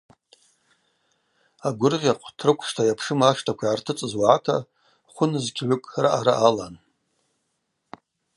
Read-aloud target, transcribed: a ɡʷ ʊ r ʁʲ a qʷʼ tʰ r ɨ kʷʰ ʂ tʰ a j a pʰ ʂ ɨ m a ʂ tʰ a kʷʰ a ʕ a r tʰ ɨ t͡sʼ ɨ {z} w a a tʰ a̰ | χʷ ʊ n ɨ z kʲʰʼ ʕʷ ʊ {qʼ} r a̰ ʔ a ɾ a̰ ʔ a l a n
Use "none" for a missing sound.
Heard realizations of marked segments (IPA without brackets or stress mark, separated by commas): z, kʼ